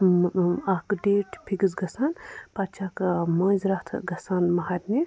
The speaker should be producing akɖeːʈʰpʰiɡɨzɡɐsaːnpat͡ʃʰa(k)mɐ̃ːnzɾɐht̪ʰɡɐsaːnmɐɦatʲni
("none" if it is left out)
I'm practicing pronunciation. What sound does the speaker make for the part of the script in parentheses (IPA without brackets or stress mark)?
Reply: k